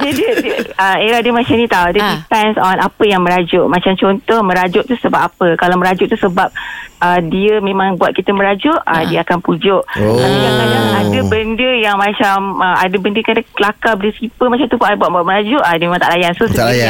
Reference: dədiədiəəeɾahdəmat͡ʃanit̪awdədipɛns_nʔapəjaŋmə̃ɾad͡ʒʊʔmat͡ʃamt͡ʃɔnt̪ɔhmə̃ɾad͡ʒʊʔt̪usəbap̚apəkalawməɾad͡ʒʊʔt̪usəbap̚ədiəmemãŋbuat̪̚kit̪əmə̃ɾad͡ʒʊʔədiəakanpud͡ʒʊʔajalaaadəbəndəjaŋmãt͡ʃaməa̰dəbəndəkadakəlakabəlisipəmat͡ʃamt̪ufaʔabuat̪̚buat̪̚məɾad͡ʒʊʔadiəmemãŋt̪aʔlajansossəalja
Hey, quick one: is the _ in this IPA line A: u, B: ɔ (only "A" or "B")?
B